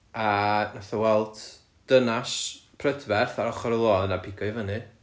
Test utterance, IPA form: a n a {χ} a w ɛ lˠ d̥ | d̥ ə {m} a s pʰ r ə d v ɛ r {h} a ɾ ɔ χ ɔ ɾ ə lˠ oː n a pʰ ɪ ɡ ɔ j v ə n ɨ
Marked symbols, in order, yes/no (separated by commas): no, no, no